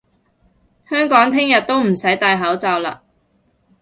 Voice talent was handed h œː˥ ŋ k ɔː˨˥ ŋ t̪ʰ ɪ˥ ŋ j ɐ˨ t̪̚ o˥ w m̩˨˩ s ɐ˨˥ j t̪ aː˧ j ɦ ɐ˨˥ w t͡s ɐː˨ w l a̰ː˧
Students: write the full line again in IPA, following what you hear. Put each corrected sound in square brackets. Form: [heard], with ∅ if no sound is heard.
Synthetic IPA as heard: h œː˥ ŋ k ɔː˨˥ ŋ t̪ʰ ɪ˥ ŋ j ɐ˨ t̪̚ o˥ w m̩˨˩ s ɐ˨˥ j t̪ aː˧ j ɦ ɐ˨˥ w t͡s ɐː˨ w l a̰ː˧